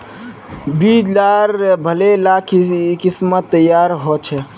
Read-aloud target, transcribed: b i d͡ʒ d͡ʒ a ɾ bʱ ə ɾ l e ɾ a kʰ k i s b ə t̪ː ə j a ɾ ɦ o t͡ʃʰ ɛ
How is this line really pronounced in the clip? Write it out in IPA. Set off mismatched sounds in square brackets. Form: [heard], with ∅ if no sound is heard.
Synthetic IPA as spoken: b i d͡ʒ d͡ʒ a ɾ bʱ ə [∅] l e [l] a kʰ k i s [m] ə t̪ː ə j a ɾ ɦ o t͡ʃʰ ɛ